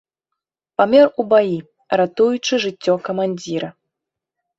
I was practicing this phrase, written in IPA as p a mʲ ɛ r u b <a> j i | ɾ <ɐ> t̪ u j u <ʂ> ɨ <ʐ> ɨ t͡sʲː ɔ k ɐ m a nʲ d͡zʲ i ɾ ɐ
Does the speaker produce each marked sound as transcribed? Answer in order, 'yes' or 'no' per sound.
yes, no, no, yes

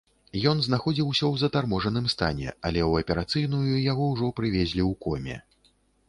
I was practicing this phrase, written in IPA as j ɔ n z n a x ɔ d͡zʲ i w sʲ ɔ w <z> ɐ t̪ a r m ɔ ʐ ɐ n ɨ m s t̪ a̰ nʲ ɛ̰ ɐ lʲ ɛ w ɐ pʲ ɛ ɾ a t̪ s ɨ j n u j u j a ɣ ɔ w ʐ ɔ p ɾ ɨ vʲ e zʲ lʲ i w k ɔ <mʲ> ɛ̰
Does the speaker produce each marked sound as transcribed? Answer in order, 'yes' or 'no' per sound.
yes, yes

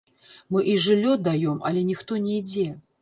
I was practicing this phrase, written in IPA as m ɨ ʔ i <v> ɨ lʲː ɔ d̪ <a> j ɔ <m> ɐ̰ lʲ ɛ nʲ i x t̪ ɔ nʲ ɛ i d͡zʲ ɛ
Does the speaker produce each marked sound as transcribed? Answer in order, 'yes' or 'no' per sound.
no, yes, yes

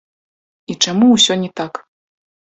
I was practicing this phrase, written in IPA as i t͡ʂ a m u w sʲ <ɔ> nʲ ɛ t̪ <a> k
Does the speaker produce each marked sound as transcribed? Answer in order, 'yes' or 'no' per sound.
yes, yes

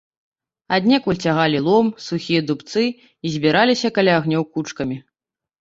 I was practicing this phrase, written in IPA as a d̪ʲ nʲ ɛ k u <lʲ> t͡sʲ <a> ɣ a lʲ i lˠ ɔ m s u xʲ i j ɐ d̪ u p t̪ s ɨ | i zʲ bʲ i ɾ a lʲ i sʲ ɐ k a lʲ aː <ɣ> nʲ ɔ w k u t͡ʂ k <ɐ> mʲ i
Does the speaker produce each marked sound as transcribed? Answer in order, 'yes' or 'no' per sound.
yes, yes, yes, yes

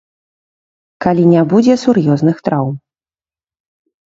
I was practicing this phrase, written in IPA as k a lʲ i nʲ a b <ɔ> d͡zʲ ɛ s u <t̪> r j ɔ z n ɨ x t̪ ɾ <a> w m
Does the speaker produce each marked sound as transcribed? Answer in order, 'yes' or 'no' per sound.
no, no, yes

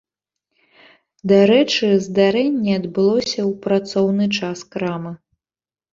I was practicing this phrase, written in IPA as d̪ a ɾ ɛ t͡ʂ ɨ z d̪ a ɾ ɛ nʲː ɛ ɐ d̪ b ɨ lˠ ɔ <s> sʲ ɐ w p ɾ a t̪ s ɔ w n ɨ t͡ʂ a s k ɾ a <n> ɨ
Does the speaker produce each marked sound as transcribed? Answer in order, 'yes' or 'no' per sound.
yes, no

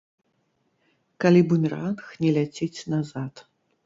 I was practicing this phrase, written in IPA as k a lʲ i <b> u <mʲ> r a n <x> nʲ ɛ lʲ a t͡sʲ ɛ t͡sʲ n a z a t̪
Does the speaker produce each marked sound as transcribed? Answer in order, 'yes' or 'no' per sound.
yes, yes, yes

